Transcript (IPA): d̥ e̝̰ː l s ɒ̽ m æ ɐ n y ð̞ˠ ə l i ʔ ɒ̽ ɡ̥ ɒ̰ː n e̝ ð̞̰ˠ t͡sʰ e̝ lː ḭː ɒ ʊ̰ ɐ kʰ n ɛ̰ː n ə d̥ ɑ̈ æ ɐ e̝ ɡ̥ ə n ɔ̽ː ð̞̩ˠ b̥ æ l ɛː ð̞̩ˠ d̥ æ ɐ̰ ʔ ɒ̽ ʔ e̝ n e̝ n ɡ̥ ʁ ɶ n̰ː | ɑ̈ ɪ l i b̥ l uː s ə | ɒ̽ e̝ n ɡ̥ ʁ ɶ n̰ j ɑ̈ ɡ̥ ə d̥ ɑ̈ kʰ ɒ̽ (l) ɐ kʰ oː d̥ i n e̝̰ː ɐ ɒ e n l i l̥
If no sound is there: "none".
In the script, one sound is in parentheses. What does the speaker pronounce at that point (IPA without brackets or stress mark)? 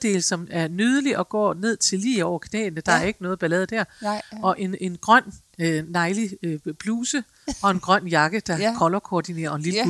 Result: l